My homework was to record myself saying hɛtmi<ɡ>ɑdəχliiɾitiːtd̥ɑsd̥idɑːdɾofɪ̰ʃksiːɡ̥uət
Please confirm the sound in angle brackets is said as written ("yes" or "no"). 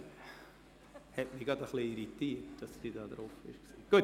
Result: yes